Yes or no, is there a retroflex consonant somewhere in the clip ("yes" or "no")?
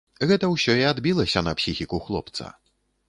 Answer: no